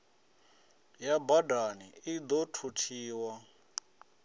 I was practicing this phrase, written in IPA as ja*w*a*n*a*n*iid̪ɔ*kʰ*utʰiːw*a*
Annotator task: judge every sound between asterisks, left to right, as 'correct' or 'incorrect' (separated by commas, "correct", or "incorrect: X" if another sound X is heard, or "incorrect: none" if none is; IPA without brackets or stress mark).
incorrect: b, incorrect: d, correct, incorrect: tʰ, correct